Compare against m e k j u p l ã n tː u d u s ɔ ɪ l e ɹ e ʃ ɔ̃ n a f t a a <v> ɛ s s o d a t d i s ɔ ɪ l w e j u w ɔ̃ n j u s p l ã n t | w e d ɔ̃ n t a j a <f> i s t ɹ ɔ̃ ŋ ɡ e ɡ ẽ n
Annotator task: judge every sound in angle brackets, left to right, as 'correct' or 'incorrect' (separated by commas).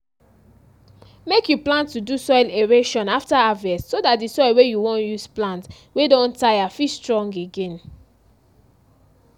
correct, correct